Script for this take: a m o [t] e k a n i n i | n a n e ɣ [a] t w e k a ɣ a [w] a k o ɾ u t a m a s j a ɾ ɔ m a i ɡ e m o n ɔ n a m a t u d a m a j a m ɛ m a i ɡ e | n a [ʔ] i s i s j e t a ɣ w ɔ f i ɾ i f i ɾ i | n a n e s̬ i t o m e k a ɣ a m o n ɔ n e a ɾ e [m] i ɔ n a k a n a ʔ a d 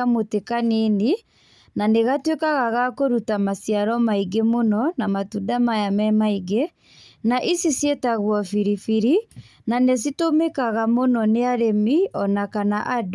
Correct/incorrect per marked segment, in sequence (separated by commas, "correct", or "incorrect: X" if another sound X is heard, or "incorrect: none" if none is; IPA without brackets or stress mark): correct, correct, incorrect: ɣ, correct, correct